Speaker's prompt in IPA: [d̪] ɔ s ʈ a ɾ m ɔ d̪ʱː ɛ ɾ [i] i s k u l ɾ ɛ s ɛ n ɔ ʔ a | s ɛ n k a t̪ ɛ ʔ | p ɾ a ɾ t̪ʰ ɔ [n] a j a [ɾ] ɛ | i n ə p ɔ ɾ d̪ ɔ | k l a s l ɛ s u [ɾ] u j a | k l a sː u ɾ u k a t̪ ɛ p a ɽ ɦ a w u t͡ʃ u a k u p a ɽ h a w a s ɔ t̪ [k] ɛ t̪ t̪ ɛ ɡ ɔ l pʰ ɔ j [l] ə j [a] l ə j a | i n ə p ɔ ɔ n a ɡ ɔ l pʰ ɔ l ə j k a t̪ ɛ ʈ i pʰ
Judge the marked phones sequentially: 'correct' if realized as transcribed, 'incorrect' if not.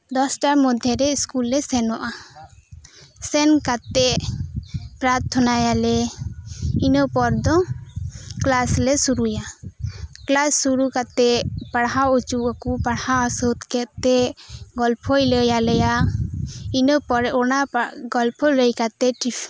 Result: correct, incorrect, correct, incorrect, correct, correct, correct, correct

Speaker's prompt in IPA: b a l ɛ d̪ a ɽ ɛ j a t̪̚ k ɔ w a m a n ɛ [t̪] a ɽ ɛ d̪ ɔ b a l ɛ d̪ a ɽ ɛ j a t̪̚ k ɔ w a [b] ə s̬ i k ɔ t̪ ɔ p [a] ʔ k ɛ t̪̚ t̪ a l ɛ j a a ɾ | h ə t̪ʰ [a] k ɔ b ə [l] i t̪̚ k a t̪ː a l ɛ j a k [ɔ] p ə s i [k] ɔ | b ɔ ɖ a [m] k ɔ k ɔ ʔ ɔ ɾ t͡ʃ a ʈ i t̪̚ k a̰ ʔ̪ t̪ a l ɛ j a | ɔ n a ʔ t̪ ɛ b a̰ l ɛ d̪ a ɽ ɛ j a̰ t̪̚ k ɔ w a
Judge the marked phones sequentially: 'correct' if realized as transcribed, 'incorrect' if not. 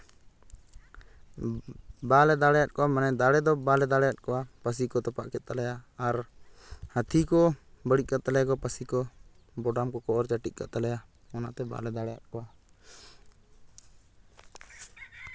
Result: incorrect, incorrect, correct, incorrect, incorrect, correct, correct, correct

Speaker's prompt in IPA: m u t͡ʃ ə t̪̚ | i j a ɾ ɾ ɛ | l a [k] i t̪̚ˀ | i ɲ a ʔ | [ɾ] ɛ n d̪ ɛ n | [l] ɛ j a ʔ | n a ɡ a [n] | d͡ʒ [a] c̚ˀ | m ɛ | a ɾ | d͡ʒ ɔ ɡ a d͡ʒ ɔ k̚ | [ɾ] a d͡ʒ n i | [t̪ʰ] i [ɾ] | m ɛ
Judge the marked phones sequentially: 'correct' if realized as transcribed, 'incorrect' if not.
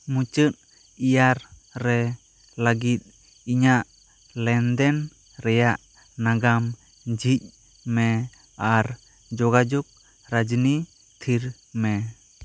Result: incorrect, incorrect, incorrect, incorrect, incorrect, correct, correct, correct

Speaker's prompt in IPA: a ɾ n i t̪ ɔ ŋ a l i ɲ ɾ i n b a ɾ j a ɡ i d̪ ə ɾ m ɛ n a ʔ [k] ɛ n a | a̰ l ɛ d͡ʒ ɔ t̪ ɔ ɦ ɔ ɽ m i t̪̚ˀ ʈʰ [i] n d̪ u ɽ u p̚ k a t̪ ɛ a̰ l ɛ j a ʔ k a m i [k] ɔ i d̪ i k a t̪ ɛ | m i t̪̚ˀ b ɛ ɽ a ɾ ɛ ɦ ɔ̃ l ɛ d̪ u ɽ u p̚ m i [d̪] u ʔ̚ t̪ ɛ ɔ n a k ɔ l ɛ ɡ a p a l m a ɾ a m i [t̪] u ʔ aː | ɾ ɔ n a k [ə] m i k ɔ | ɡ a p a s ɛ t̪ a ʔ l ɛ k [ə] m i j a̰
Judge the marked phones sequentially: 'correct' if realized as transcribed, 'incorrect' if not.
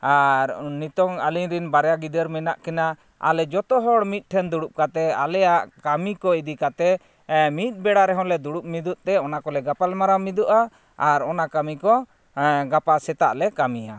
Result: correct, incorrect, correct, correct, incorrect, incorrect, incorrect

